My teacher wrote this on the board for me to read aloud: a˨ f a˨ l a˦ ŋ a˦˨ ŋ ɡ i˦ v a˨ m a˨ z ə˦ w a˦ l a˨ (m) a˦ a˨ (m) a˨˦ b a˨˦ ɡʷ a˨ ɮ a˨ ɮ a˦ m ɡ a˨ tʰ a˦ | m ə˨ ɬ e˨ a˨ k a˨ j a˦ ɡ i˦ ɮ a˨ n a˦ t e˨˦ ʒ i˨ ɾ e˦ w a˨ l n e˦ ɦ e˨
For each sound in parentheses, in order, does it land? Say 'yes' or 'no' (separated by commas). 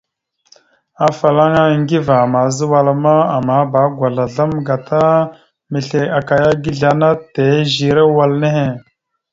yes, yes